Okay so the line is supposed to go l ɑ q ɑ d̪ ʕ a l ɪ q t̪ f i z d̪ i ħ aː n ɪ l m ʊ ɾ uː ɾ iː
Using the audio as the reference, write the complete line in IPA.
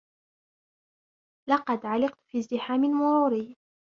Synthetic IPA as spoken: l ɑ q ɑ d̪ ʕ a l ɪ q t̪ f i z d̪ ɪ ħ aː m ɪ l m ʊ ɾ uː ɾ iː

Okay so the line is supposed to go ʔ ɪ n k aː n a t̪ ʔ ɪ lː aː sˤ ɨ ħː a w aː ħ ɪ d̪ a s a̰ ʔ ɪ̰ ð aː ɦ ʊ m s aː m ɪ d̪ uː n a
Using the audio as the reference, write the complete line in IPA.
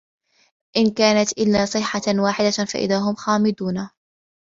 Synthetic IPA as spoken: ʔ ɪ n k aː n a t̪ ʔ ɪ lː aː sˤ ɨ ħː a w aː ħ ɪ d̪ a f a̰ ʔ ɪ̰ ð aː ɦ ʊ m x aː m ɪ d̪ uː n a

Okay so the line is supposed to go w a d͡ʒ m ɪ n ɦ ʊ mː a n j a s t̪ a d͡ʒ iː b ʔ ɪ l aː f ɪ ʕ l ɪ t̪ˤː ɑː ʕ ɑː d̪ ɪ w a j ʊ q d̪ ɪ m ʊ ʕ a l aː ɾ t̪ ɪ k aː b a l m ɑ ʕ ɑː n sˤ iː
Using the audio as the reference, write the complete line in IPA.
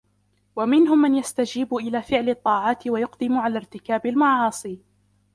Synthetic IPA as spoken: w a m ɪ n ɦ ʊ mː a n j a s t̪ a d͡ʒ iː b ʔ ɪ l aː f ɪ ʕ l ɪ t̪ˤː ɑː ʕ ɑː t̪ ɪ w a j ʊ q d̪ ɪ m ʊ ʕ a l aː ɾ t̪ ɪ k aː b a l m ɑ ʕ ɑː sˤ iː

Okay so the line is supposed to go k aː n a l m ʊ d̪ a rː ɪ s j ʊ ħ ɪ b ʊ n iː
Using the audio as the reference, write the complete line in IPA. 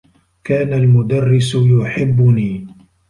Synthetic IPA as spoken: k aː n a l m ʊ d̪ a rː ɪ s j ʊ ħ ɪ bː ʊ n iː

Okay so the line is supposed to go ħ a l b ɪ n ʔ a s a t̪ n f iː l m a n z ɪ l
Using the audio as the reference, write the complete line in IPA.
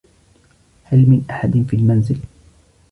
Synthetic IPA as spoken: h a l m ɪ n ʔ a ħ a d̪ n f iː l m a n z ɪ l

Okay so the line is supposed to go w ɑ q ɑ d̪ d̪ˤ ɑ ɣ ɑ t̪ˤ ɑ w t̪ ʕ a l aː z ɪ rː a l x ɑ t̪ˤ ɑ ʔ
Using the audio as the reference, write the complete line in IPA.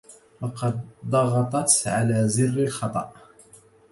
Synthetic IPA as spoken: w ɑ q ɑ d̪ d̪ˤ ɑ ɣ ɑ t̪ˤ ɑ t̪ ʕ a l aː z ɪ rː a l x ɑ t̪ˤ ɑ ʔ

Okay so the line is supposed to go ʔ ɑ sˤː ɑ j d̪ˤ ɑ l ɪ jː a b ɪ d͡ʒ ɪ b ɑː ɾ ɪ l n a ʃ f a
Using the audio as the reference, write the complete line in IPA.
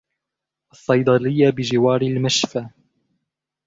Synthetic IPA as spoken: ʔ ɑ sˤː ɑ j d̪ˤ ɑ l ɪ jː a b ɪ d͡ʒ ɪ w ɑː ɾ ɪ l m a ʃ f a

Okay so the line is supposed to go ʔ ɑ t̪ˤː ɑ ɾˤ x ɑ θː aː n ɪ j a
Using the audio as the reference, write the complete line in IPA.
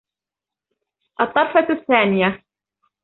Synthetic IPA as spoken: ʔ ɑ t̪ˤː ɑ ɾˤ f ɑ θː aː n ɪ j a

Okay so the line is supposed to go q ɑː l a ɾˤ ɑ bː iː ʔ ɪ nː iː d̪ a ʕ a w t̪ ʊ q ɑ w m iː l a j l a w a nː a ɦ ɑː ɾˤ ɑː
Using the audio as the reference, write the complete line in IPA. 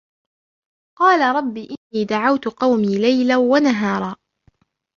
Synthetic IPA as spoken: q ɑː l a ɾˤ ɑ bː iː ʔ ɪ nː iː d̪ a ʕ a w t̪ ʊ q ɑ w m iː l a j l a w a n a ɦ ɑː ɾˤ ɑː

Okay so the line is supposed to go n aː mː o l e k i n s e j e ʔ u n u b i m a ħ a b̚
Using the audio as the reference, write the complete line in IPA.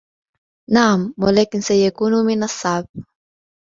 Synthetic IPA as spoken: n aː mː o l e k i n s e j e k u n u m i n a s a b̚

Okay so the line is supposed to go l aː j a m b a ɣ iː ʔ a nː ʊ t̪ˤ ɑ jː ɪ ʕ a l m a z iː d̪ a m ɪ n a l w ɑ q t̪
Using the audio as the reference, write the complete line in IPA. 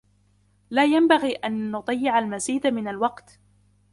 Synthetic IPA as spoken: l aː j a m b a ɣ iː ʔ a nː ʊ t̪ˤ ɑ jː ɪ ʕ a l m a z iː d̪ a m ɪ n a l w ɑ q t̪

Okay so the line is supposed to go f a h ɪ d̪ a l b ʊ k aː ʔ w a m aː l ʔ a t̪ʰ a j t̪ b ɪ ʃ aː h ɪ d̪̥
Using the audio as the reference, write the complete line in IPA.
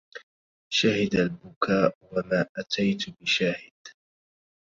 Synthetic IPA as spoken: ʃ a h ɪ d̪ a l b ʊ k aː ʔ w a m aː ʔ a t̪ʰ a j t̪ b ɪ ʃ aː h ɪ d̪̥

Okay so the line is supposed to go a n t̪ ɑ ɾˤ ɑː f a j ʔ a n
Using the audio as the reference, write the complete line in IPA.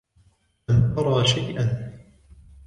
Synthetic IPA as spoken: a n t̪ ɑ ɾˤ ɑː ʃ a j ʔ a n

